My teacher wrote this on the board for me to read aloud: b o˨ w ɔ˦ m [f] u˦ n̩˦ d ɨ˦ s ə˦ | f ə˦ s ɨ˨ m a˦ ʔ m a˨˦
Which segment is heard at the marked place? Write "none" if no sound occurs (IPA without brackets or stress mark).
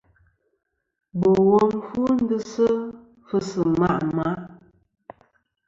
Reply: f